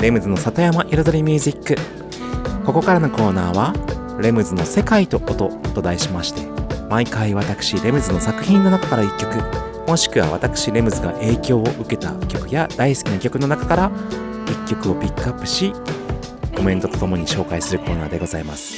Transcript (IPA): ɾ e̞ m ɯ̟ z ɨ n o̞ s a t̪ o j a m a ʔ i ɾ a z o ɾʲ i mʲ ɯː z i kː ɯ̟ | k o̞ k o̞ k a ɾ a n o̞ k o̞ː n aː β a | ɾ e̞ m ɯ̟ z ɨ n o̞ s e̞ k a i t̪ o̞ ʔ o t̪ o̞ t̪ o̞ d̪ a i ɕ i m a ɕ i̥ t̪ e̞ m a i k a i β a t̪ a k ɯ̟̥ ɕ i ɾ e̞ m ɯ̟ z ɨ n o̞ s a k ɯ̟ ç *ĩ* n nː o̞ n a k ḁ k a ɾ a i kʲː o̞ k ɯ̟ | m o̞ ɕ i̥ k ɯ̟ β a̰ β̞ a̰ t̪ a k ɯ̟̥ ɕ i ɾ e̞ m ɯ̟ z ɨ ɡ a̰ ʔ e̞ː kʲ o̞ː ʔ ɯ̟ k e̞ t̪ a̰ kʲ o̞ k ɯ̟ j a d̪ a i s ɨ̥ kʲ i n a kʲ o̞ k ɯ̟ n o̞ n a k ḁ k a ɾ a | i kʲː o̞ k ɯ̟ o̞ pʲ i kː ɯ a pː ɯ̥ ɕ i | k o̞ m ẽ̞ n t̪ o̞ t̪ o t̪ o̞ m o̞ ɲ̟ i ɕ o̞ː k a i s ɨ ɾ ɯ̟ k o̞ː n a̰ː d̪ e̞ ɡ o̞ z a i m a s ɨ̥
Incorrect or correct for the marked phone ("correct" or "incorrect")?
correct